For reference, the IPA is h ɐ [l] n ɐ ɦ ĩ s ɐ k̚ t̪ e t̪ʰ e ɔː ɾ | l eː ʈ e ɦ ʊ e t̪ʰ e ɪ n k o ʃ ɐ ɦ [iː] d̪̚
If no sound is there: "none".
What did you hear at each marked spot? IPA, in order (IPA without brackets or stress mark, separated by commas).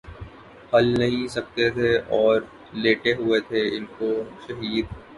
l, iː